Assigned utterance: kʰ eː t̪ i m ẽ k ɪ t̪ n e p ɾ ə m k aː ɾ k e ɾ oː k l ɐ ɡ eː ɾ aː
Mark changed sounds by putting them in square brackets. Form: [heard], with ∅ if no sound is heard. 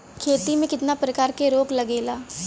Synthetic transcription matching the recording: kʰ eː t̪ i m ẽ k ɪ t̪ n [a] p ɾ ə [∅] k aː ɾ k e ɾ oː k l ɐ ɡ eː [l] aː